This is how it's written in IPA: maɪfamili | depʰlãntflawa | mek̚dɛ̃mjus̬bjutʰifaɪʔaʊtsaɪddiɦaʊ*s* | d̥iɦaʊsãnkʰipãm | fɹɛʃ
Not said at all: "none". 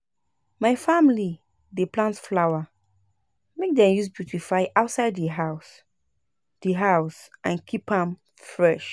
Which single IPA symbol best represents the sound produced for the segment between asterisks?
s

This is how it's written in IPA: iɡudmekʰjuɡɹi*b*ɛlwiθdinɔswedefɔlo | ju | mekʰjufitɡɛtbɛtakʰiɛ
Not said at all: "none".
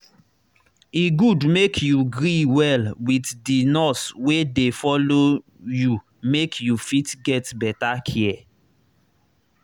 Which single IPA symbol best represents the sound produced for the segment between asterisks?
w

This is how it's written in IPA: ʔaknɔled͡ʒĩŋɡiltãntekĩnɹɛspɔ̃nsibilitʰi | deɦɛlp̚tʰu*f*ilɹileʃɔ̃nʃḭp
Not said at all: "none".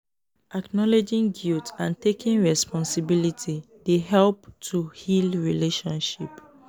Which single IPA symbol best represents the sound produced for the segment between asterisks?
h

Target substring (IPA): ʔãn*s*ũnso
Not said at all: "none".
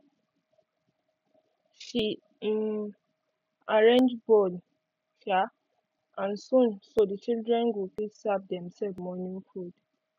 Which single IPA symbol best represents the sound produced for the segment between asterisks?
s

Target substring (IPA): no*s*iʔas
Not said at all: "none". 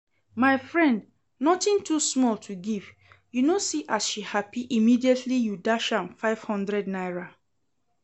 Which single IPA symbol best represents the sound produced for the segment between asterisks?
s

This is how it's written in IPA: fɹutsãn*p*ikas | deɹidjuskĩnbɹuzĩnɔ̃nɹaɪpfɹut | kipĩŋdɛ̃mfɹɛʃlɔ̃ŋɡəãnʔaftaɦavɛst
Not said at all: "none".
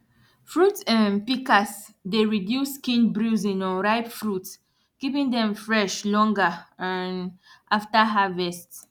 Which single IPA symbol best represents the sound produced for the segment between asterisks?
p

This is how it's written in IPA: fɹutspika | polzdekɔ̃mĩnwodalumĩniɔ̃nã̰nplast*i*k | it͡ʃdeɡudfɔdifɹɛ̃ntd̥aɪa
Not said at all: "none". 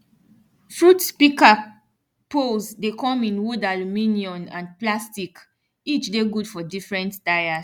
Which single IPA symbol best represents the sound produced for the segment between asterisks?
i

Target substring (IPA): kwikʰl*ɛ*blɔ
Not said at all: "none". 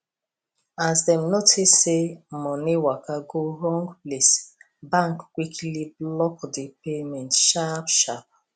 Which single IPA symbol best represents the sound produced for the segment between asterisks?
i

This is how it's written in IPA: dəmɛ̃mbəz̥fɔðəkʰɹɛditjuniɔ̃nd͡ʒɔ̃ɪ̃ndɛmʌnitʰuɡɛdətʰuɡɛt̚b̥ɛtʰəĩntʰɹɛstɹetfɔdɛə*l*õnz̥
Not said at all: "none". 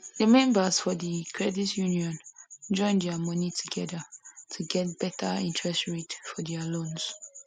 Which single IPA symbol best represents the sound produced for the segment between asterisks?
l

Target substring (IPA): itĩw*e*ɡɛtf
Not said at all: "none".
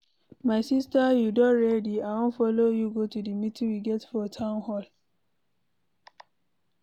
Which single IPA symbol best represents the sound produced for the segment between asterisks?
i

